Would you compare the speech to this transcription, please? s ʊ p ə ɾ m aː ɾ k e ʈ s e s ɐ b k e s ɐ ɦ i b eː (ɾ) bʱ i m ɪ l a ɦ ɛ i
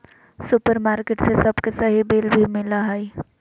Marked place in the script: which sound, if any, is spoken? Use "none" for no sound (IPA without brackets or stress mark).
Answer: l